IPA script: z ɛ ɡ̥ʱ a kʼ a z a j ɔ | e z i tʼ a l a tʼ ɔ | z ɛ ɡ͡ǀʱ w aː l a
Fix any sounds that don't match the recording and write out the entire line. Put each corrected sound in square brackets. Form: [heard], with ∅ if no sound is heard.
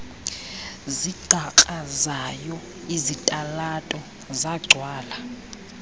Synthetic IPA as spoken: z [i] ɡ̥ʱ a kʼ a z a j ɔ | [i] z i tʼ a l a tʼ ɔ | z [a] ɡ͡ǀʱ w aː l a